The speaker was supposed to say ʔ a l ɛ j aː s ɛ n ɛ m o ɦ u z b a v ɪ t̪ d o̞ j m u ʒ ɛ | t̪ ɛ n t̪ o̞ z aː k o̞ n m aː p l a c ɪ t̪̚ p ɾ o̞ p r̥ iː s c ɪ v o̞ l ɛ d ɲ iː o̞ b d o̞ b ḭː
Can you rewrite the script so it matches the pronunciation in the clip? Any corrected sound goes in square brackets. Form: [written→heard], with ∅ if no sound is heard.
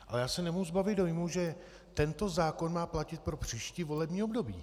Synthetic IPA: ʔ a l ɛ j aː s ɛ n ɛ m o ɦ u z b a v ɪ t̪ d o̞ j m u ʒ ɛ | t̪ ɛ n t̪ o̞ z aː k o̞ n m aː p l a c ɪ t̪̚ p ɾ o̞ p r̥ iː [s→ʃ] c ɪ v o̞ l ɛ [d→b] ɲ iː o̞ b d o̞ b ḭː